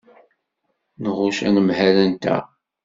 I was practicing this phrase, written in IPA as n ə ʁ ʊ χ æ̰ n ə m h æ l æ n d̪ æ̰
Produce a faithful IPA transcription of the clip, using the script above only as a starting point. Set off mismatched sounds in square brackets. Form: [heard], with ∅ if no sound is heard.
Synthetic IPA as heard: n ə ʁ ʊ [ʃ] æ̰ n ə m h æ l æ n [t̪] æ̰

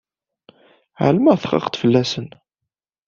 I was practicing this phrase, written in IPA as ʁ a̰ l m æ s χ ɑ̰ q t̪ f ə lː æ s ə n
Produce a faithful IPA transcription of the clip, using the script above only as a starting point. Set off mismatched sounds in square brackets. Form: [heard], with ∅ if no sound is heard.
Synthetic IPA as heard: [ʕ] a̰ l m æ [θ] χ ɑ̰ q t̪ f ə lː æ s ə n

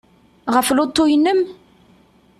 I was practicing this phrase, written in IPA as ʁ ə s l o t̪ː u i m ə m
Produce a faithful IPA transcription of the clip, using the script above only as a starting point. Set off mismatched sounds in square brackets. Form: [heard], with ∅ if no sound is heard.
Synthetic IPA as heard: ʁ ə [f] l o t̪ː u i [n] ə m

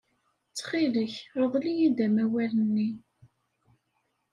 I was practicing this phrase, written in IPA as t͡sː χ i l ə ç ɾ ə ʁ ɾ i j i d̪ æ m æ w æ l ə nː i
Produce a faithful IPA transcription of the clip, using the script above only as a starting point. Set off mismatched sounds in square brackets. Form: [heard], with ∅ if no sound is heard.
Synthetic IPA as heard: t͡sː χ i l ə ç ɾ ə ʁ [l] i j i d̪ æ m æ w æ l ə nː i

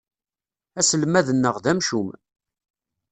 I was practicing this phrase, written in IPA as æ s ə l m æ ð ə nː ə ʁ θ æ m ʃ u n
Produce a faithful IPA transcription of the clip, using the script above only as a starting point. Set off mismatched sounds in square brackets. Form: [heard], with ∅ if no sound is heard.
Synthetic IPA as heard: æ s ə l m æ ð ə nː ə ʁ [ð] æ m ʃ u [m]

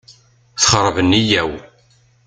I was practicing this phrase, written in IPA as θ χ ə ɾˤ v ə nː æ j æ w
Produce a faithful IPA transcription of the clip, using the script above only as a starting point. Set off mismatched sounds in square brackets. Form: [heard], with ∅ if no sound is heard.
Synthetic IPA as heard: θ χ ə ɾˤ v ə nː [i] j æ w

